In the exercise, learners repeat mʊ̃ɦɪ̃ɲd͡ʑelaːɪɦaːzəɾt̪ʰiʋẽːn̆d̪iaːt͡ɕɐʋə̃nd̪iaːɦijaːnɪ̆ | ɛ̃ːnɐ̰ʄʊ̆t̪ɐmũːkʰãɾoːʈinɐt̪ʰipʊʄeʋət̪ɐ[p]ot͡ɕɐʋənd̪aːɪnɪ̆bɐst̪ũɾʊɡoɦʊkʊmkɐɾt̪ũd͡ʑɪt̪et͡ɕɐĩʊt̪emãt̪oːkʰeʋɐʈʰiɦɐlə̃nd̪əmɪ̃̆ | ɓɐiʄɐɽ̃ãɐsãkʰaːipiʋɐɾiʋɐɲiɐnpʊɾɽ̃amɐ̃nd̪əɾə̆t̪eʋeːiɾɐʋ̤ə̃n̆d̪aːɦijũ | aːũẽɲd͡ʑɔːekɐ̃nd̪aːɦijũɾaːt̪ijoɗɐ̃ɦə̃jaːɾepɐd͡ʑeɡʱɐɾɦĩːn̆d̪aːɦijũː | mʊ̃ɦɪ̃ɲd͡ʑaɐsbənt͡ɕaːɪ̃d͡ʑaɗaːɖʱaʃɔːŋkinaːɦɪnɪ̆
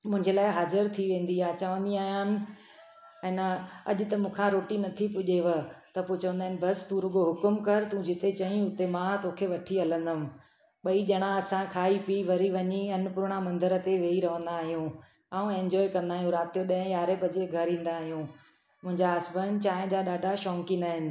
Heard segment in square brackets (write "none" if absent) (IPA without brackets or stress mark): p